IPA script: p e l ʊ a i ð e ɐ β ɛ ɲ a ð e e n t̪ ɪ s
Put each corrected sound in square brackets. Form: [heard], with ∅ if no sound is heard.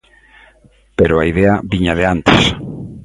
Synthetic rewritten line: p e [ɾ] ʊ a i ð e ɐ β [i] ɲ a ð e [a] n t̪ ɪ s

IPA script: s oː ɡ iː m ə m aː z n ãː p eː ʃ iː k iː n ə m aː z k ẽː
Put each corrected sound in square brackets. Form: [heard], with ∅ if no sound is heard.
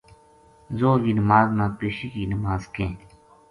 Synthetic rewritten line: [z] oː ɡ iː [n] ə m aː z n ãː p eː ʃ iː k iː n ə m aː z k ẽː

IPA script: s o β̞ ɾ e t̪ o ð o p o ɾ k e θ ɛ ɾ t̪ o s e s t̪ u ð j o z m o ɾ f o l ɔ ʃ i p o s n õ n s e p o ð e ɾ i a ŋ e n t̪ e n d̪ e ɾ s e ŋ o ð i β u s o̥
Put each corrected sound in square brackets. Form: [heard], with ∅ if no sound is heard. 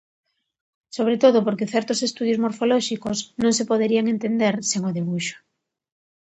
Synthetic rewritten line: s o β̞ ɾ e t̪ o ð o p o ɾ k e θ ɛ ɾ t̪ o s e s t̪ u ð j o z m o ɾ f o l ɔ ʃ i [k] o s n õ [ŋ] s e p o ð e ɾ i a ŋ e n t̪ e n d̪ e ɾ s e ŋ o ð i β u [ʃ] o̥

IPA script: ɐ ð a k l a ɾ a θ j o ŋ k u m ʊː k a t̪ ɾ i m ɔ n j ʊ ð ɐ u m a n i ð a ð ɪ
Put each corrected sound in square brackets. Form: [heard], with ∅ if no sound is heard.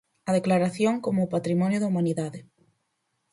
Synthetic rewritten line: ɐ ð [e] k l a ɾ a θ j o ŋ k [o] m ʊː [p] a t̪ ɾ i m ɔ n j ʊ ð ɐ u m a n i ð a ð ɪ

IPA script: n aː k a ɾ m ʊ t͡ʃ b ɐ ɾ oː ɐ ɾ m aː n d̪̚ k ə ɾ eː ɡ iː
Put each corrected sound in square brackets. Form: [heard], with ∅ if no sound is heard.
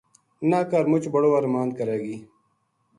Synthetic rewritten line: n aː k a ɾ m ʊ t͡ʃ b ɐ [ɽ] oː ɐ ɾ m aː n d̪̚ k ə ɾ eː ɡ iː

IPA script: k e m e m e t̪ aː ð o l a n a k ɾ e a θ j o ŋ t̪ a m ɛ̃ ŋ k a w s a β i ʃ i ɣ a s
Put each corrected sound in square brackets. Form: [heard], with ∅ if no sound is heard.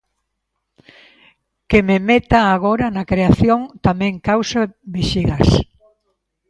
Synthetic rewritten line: k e m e m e t̪ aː [ɣ] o [ɾ] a n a k ɾ e a θ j o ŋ t̪ a m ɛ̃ ŋ k a w s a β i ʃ i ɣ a s

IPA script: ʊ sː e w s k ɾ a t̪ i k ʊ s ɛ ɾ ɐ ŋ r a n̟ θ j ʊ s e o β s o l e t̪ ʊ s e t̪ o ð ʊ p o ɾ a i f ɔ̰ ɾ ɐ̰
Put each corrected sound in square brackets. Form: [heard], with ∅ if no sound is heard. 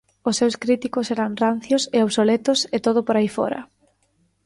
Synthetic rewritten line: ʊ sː e w s k ɾ [i] t̪ i k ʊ s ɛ ɾ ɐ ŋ r a n̟ θ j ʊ s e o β s o l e t̪ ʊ s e t̪ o ð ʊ p o ɾ a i f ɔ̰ ɾ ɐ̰

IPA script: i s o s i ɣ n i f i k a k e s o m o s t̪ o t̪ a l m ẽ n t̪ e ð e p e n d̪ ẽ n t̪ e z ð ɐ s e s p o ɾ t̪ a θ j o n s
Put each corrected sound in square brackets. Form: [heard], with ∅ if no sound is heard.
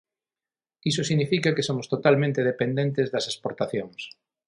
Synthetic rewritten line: i s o s i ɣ n i f i k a k e s o m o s t̪ o t̪ a l m ẽ n t̪ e ð e p e n d̪ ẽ n t̪ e z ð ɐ s e s p o ɾ t̪ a θ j o [ŋ] s

